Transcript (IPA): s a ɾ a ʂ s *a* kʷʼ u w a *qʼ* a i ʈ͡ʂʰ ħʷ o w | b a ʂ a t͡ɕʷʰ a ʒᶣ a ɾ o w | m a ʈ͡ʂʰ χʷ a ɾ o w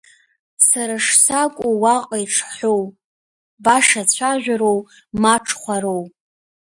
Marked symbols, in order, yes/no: yes, yes

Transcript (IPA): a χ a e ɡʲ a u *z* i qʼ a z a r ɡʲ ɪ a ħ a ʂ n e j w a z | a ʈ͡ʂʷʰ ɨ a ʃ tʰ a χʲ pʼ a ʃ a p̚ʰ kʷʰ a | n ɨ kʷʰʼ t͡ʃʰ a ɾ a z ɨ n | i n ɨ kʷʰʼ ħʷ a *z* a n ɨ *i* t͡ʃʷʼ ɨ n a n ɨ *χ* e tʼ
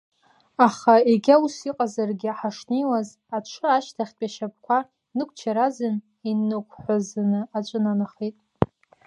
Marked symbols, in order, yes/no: no, yes, no, yes

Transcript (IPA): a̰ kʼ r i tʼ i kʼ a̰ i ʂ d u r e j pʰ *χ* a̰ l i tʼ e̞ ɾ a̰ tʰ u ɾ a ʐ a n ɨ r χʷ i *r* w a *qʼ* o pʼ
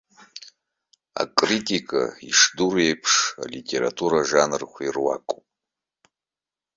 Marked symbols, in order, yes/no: no, yes, no

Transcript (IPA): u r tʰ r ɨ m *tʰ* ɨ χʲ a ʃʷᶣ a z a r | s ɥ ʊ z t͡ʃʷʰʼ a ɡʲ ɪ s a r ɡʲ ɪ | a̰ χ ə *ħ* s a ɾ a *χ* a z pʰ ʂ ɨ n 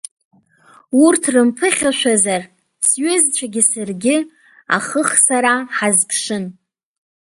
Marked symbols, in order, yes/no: no, no, no

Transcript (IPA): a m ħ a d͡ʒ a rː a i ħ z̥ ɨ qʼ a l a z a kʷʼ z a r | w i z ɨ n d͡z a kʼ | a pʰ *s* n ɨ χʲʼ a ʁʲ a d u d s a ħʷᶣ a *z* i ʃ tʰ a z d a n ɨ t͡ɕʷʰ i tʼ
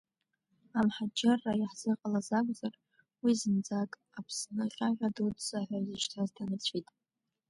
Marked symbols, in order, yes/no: yes, yes

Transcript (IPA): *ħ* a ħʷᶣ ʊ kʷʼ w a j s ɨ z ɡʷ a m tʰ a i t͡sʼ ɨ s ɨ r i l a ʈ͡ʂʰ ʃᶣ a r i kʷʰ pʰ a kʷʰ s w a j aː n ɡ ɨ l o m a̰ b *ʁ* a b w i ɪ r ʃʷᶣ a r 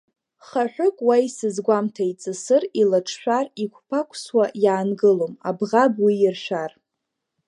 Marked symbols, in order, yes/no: no, yes

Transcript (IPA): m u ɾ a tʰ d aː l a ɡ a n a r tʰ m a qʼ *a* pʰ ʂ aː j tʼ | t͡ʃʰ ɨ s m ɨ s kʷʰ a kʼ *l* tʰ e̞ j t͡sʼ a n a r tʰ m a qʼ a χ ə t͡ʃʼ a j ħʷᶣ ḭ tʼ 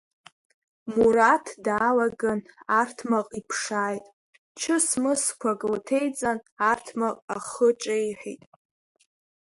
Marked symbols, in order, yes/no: no, yes

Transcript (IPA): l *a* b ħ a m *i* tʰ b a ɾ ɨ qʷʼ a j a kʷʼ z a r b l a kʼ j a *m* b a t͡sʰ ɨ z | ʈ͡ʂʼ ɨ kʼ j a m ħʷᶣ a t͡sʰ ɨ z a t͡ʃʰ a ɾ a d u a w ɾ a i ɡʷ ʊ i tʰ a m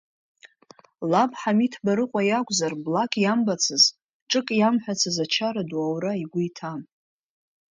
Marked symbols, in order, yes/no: yes, yes, yes

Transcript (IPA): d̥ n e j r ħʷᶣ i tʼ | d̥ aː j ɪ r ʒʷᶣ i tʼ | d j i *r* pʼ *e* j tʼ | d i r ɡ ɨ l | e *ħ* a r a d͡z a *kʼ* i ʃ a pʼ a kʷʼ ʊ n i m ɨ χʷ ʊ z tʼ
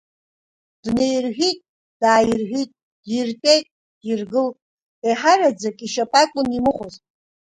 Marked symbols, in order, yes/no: yes, yes, yes, yes

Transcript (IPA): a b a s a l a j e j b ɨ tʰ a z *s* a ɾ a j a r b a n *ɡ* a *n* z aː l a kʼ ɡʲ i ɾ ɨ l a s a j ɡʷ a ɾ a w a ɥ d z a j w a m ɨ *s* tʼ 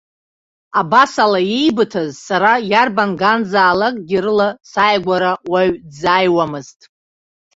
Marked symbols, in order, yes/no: yes, yes, yes, no

